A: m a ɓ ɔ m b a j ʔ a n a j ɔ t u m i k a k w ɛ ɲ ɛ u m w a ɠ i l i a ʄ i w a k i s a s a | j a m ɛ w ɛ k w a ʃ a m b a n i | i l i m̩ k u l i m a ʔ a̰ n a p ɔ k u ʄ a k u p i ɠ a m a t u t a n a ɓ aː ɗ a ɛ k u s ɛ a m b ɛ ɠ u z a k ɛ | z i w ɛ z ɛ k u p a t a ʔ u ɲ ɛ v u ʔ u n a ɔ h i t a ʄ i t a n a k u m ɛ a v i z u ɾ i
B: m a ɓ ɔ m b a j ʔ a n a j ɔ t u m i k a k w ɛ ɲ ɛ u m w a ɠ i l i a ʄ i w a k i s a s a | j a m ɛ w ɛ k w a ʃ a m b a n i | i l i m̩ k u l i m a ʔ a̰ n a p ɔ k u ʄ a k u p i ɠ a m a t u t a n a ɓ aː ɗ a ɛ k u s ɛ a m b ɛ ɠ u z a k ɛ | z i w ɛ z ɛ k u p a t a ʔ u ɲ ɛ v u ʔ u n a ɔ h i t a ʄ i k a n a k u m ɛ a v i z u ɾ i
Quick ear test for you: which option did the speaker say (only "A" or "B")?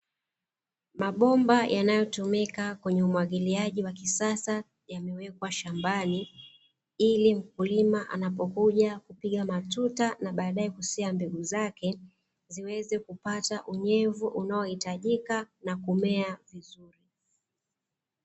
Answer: B